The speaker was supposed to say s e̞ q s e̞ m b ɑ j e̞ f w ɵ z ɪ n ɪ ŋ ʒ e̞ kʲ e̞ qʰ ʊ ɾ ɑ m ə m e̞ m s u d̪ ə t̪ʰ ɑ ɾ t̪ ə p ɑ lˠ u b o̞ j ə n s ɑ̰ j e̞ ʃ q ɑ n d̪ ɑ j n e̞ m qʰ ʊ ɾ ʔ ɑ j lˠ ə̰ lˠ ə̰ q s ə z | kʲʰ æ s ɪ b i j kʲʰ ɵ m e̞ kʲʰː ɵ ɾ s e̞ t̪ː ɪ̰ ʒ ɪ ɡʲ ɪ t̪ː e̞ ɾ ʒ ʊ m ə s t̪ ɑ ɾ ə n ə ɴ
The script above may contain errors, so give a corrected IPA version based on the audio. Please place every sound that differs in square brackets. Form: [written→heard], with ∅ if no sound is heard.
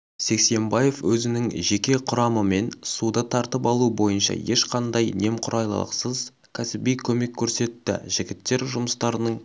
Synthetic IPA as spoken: s e̞ [q→k] s e̞ m b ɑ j e̞ f w ɵ z ɪ n ɪ ŋ ʒ e̞ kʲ e̞ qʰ ʊ ɾ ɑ m ə m e̞ [m→n] s u d̪ ə t̪ʰ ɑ ɾ t̪ ə p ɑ lˠ u b o̞ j ə n [s→ʃ] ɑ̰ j e̞ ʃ q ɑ n d̪ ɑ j n e̞ m qʰ ʊ ɾ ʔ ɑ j lˠ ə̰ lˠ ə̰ q s ə z | kʲʰ æ s ɪ b i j kʲʰ ɵ m e̞ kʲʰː ɵ ɾ s e̞ t̪ː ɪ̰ ʒ ɪ ɡʲ ɪ t̪ː e̞ ɾ ʒ ʊ m ə s t̪ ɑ ɾ ə n ə ɴ